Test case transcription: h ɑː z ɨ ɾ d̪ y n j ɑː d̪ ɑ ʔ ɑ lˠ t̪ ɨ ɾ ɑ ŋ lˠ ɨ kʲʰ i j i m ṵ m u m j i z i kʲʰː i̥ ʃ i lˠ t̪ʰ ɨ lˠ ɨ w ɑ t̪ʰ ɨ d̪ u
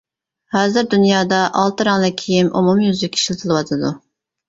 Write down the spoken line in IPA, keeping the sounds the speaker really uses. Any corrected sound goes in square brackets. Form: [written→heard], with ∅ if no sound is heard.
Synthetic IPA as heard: h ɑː z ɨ ɾ d̪ y n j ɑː d̪ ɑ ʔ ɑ lˠ t̪ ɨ ɾ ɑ ŋ lˠ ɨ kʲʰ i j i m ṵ m u m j [i→y] z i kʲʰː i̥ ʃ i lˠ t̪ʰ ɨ lˠ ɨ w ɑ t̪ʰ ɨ d̪ u